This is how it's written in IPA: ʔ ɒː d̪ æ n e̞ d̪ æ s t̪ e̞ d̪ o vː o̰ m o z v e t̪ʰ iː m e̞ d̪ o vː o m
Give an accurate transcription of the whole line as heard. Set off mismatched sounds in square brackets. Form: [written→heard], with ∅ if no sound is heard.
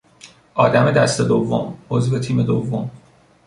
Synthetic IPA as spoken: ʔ ɒː d̪ æ [n→m] e̞ d̪ æ s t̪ e̞ d̪ o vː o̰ m o z v e t̪ʰ iː m e̞ d̪ o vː o m